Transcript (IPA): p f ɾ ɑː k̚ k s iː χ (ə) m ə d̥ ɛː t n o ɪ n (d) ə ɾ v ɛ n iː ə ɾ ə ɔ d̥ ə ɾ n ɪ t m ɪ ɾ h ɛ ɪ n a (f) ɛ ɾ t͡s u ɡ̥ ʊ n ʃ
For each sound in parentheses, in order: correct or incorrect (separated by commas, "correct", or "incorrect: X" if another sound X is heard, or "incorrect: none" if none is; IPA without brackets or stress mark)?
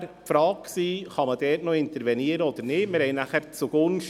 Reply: incorrect: ɑ, incorrect: t, incorrect: χ